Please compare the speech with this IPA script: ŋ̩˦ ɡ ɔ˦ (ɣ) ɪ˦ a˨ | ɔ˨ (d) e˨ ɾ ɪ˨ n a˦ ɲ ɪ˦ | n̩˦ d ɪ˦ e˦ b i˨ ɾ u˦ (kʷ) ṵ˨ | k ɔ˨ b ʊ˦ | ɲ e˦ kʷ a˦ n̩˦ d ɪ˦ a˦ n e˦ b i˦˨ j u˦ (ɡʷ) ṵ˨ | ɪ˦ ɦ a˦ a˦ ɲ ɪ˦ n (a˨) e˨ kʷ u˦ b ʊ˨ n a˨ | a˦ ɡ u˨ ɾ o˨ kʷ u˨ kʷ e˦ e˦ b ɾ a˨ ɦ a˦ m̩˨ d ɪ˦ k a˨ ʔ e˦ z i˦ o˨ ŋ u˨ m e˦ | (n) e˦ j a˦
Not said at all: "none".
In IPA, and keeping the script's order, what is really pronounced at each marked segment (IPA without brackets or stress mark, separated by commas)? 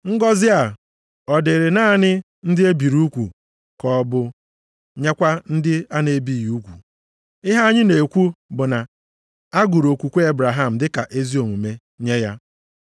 z, d, kʷ, kʷ, e˨, ɲ